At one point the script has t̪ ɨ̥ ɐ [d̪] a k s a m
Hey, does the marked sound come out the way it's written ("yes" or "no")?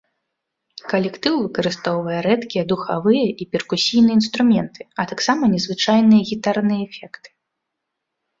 no